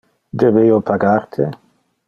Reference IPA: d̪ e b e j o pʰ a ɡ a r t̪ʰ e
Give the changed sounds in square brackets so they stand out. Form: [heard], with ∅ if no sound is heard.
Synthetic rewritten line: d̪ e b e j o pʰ a ɡ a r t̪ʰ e